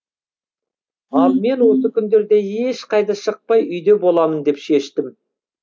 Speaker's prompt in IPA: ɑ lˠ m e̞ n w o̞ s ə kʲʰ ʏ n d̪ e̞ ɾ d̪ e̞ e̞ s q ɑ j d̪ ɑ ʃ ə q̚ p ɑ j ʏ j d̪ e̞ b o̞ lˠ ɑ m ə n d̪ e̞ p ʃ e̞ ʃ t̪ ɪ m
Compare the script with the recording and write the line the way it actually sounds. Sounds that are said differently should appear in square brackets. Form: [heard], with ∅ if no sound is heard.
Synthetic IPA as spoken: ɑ lˠ m e̞ n w o̞ s ə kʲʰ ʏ n d̪ e̞ ɾ d̪ e̞ e̞ [ʃ] q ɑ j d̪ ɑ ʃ ə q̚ p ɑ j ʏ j d̪ e̞ b o̞ lˠ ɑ m ə n d̪ e̞ p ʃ e̞ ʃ t̪ ɪ m